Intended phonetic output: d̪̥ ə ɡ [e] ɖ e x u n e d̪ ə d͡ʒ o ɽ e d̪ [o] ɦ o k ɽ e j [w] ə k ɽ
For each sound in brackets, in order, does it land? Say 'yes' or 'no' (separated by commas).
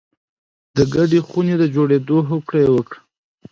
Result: no, yes, yes